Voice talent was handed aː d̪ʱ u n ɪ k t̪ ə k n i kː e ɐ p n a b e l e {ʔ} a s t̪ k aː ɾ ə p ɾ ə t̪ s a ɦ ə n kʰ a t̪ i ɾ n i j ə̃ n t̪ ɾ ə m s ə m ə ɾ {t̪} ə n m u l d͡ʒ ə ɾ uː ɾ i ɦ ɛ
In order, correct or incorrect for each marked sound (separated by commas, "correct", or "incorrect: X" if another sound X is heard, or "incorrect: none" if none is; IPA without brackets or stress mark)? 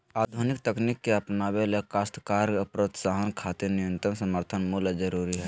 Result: incorrect: k, incorrect: t̪ʰ